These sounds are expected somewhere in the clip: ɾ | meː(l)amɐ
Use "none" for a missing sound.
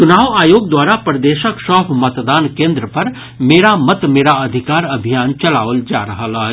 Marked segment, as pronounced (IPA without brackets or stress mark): ɾ